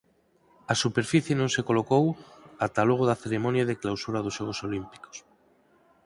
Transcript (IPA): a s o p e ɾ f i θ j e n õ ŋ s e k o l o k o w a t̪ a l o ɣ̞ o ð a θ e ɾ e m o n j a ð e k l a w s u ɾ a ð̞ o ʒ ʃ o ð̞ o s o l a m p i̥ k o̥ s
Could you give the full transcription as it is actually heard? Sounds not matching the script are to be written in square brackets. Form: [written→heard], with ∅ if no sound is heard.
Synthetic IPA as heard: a s [o→u] p e ɾ f i θ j e n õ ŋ s e k o l o k o w a t̪ a l o ɣ̞ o ð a θ e ɾ e m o n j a ð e k l a w s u ɾ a ð̞ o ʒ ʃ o [ð̞→ɣ̞] o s o l [a→i] m p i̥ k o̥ s